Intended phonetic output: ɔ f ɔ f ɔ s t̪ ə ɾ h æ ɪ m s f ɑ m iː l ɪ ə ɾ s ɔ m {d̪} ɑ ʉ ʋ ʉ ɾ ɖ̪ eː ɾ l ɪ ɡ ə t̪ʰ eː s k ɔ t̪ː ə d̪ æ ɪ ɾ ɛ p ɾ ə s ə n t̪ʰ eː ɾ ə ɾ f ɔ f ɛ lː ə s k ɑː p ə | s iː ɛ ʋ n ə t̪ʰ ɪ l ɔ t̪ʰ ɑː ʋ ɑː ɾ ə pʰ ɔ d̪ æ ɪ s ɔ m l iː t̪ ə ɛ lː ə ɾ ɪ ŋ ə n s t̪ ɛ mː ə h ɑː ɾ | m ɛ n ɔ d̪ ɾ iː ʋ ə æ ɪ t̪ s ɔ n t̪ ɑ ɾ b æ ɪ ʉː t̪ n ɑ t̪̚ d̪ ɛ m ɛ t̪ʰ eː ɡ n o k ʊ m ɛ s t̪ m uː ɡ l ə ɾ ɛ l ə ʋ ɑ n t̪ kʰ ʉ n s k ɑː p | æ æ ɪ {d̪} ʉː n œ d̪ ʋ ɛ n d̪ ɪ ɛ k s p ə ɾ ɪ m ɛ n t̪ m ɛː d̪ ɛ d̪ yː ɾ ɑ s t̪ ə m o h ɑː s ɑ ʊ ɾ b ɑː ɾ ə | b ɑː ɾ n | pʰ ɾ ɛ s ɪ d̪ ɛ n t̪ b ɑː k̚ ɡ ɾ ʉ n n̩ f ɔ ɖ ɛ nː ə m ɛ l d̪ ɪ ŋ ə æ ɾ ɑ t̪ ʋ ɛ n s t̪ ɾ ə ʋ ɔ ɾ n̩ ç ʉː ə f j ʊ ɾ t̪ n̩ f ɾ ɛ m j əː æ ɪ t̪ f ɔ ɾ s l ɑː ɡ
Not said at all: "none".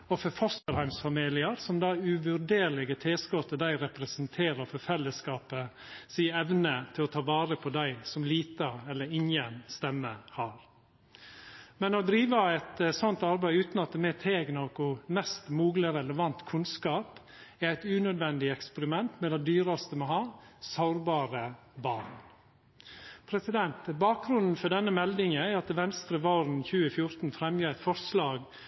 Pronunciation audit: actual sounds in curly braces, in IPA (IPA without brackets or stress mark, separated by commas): d̪, t̪